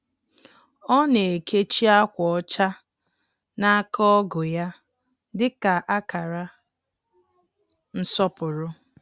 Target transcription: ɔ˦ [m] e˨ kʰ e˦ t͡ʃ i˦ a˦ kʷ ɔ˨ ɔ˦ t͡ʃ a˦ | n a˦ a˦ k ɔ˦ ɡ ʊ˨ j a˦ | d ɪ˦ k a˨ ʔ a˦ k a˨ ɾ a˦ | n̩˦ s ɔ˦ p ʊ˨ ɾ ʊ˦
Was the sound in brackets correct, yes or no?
no